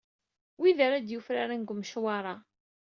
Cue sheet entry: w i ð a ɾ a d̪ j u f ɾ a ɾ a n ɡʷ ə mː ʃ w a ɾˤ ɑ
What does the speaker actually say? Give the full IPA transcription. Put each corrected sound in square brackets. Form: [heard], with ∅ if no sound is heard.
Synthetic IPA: w i ð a ɾ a d̪ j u f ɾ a ɾ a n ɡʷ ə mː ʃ w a ɾˤ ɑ

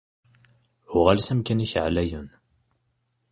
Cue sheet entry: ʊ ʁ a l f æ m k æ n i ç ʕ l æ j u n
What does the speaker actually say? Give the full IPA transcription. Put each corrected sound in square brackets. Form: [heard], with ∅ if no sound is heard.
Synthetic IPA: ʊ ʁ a l [s] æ m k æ n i ç ʕ l æ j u n

